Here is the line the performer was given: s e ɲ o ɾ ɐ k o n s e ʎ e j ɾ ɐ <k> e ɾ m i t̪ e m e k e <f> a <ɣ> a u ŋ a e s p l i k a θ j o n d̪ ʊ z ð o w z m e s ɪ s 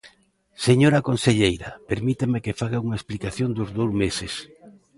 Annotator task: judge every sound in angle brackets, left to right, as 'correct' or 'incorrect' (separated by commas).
incorrect, correct, correct